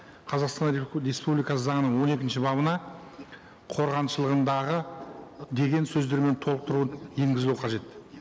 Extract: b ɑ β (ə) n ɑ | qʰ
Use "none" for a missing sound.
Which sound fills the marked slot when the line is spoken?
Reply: ə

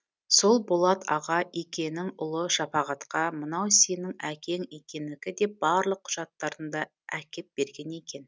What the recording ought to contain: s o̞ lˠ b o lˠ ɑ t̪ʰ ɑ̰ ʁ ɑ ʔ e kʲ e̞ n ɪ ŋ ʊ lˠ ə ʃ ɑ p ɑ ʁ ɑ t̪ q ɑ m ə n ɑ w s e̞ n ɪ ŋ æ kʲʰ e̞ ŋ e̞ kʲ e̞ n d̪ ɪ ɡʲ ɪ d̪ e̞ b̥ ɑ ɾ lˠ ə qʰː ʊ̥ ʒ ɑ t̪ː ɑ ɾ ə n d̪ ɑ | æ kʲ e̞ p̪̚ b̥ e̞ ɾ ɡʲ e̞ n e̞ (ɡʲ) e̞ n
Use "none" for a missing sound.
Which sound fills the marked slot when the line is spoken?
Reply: kʲ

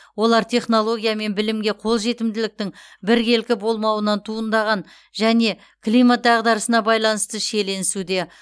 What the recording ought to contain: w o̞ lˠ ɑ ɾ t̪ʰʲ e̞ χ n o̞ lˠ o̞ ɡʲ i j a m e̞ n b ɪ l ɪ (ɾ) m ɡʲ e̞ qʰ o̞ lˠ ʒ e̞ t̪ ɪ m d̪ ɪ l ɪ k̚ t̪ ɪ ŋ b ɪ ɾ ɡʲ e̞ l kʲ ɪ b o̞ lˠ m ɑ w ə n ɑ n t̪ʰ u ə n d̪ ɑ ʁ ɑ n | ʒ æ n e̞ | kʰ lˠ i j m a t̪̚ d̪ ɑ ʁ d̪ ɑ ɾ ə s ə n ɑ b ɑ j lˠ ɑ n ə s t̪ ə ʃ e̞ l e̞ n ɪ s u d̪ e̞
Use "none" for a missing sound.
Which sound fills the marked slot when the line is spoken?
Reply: none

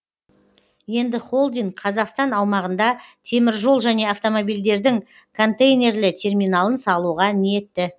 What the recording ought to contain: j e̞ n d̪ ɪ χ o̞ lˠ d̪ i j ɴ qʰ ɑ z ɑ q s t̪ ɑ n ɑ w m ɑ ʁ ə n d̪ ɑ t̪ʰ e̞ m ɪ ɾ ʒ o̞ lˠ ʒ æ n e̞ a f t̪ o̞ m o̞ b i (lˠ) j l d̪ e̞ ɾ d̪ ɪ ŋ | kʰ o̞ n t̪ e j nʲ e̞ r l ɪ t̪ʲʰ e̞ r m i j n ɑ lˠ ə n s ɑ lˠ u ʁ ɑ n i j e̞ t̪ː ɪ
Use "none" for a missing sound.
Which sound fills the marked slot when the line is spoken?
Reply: none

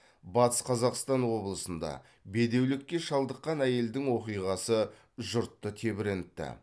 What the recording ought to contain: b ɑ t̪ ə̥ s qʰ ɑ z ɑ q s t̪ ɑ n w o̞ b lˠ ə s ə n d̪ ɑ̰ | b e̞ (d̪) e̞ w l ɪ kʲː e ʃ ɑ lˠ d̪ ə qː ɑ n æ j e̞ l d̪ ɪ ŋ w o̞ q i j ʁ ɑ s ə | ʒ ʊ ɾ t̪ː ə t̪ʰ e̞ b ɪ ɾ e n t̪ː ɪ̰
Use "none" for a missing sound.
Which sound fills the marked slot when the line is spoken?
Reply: d̪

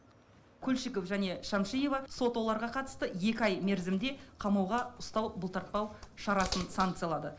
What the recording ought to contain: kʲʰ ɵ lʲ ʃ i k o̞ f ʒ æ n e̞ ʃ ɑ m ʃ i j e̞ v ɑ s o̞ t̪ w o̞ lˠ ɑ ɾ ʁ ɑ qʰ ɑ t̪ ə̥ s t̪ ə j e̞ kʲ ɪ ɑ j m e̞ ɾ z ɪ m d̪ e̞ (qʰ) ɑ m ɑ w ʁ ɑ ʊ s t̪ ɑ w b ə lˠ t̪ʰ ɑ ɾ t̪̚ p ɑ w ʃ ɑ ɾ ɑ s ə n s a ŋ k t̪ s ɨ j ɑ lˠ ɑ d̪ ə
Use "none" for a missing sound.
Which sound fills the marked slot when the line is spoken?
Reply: qʰ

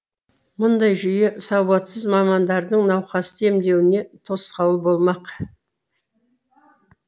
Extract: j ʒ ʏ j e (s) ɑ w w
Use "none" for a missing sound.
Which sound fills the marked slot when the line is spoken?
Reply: s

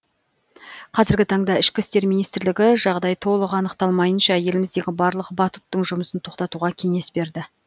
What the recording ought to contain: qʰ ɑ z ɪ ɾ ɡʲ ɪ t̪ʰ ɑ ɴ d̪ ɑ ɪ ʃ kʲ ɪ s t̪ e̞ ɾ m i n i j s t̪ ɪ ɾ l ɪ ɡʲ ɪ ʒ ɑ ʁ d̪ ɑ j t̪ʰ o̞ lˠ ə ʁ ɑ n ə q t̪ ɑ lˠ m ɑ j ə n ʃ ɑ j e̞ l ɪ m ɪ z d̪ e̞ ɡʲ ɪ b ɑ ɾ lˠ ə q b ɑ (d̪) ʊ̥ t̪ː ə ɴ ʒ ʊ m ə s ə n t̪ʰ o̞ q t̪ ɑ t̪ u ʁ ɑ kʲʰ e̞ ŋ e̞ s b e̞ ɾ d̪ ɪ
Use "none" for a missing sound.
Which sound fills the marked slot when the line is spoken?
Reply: t̪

